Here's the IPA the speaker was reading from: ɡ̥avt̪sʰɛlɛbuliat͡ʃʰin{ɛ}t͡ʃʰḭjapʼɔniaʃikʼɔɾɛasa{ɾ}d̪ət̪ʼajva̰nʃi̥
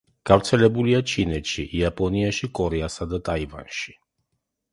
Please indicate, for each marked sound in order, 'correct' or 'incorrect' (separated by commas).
correct, incorrect